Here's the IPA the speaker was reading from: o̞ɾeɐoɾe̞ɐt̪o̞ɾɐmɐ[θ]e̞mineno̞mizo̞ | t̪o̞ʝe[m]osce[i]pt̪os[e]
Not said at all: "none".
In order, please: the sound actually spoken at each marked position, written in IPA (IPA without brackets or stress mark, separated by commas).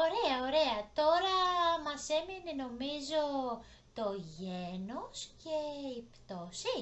s, n, i, i